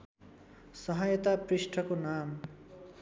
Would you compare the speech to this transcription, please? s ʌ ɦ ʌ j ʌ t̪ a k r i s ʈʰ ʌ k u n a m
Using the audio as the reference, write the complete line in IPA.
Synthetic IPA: s ʌ ɦ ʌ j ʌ t̪ a p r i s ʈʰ ʌ k o n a m